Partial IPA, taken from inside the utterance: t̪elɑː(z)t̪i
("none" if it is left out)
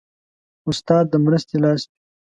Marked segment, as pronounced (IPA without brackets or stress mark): s